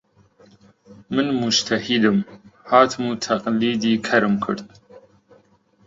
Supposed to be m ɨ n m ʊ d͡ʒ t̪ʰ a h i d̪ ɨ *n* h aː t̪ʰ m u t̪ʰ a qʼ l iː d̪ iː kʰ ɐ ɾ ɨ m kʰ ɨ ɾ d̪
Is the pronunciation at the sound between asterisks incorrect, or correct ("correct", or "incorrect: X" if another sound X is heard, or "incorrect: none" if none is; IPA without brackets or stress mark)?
incorrect: m